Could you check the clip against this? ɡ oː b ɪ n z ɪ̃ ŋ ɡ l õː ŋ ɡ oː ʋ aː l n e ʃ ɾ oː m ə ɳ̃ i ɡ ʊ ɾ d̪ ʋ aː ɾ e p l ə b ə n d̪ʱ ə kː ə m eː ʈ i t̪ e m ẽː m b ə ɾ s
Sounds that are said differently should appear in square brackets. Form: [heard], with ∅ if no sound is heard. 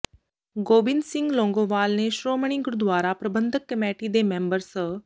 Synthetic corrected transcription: ɡ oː b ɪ n [s] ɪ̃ ŋ ɡ l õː ŋ ɡ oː ʋ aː l n e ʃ ɾ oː m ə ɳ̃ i ɡ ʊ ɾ d̪ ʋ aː ɾ [a] p [ɾ] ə b ə n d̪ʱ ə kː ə m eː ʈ i [d̪] e m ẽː m b ə ɾ s